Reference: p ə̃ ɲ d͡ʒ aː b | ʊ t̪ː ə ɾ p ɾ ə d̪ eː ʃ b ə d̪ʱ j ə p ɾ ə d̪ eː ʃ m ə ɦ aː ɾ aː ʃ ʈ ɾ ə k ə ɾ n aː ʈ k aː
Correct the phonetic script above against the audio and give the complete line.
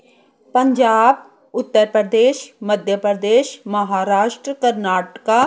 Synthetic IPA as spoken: p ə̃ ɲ d͡ʒ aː b | ʊ t̪ː ə ɾ p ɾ ə d̪ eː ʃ m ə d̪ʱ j ə p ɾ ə d̪ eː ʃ m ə ɦ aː ɾ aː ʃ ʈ ɾ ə k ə ɾ n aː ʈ k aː

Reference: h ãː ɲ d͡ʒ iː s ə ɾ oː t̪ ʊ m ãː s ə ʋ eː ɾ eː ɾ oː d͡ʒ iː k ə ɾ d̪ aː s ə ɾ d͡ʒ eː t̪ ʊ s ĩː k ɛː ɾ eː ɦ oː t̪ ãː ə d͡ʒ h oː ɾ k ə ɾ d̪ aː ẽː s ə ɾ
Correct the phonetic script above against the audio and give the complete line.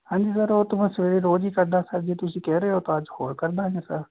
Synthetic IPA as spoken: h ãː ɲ d͡ʒ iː s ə ɾ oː t̪ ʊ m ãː s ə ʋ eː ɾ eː ɾ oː d͡ʒ iː k ə ɾ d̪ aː s ə ɾ d͡ʒ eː t̪ ʊ s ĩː k ɛː ɾ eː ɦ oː t̪ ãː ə d͡ʒ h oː ɾ k ə ɾ d̪ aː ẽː s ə ɾ

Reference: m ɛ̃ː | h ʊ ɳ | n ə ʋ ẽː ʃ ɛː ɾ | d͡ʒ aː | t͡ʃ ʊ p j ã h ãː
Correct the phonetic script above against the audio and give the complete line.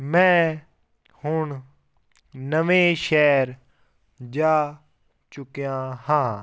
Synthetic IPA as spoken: m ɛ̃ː | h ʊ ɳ | n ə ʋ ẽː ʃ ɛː ɾ | d͡ʒ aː | t͡ʃ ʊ k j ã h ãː

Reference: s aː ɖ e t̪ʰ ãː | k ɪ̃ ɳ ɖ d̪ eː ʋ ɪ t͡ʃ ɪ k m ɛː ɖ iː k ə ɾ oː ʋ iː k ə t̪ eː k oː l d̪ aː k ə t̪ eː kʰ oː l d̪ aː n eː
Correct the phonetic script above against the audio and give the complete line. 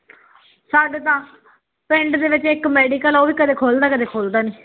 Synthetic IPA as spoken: s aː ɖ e t̪ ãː | p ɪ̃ ɳ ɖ d̪ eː ʋ ɪ t͡ʃ ɪ k m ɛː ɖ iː k ə l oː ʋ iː k ə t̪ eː kʰ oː l d̪ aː k ə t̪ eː kʰ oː l d̪ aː n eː

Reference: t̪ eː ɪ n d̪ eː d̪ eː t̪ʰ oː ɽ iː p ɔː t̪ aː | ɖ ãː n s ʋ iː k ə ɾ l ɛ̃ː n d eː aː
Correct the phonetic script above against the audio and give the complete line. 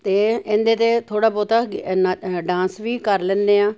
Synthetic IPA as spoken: t̪ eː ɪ n d̪ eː t̪ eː t̪ʰ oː ɽ aː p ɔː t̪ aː | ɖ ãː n s ʋ iː k ə ɾ l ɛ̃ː n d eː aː

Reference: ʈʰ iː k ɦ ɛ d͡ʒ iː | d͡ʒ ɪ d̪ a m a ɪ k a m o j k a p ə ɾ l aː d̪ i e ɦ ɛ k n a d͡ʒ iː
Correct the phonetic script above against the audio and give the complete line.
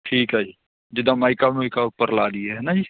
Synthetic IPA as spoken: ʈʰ iː k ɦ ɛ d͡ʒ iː | d͡ʒ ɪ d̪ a m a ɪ k a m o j k a p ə ɾ l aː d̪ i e ɦ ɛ n a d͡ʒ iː

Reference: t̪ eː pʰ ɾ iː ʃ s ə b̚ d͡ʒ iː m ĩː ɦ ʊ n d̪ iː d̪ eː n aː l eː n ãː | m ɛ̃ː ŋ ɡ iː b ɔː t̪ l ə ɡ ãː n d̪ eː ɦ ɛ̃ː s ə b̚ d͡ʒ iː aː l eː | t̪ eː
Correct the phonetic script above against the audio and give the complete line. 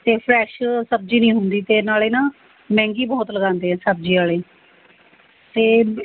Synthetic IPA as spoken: t̪ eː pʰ ɾ ɛː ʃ s ə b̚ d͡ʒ iː n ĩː ɦ ʊ n d̪ iː t̪ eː n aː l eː n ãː | m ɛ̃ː ŋ ɡ iː b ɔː t̪ l ə ɡ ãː n d̪ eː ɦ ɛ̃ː s ə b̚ d͡ʒ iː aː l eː | t̪ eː

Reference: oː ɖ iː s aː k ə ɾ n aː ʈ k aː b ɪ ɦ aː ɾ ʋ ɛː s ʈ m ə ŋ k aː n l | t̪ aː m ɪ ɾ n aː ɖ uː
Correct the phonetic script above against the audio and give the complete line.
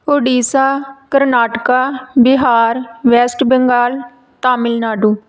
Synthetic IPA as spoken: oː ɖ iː s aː k ə ɾ n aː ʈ k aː b ɪ ɦ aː ɾ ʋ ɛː s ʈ b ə ŋ ɡ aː l | t̪ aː m ɪ l n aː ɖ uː

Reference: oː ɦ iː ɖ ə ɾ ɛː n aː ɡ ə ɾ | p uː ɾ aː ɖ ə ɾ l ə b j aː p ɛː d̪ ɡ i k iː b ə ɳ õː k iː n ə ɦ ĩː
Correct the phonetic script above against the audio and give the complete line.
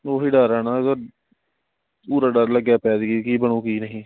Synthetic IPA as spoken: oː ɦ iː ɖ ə ɾ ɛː n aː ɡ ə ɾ | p uː ɾ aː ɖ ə ɾ l ə ɡ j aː p ɛː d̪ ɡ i k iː b ə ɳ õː k iː n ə ɦ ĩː

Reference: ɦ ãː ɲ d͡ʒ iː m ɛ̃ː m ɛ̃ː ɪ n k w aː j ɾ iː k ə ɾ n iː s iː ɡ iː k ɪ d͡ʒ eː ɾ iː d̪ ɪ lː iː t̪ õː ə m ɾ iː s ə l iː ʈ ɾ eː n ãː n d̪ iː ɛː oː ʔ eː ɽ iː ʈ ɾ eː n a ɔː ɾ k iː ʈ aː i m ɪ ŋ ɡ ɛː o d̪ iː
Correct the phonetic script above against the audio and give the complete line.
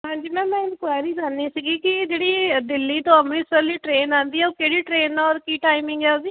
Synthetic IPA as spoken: ɦ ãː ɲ d͡ʒ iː m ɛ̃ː m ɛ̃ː ɪ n k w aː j ɾ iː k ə ɾ n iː s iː ɡ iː k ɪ d͡ʒ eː ɽ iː d̪ ɪ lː iː t̪ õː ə m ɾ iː s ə l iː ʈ ɾ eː n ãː n d̪ iː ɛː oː k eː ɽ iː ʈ ɾ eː n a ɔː ɾ k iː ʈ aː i m ɪ ŋ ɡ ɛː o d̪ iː

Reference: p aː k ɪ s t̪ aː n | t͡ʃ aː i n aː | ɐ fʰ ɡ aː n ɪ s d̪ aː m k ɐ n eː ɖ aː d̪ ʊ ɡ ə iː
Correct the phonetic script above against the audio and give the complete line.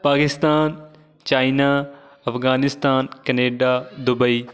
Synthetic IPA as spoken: p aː k ɪ s t̪ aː n | t͡ʃ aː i n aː | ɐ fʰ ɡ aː n ɪ s t̪ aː n k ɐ n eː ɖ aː d̪ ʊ b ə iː

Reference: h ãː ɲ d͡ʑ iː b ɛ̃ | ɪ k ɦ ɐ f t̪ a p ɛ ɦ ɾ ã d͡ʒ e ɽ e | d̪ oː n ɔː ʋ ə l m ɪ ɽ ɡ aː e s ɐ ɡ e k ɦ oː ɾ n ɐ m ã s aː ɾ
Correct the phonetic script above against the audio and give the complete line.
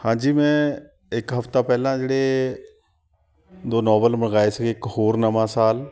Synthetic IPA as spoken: h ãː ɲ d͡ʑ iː m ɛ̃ | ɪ k ɦ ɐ f t̪ a p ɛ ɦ l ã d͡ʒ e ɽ e | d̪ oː n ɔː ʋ ə l m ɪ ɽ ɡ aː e s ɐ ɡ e k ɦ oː ɾ n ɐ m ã s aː l

